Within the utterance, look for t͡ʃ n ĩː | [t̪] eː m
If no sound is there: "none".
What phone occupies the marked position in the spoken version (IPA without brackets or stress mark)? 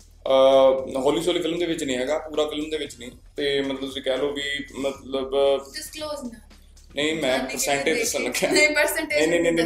t̪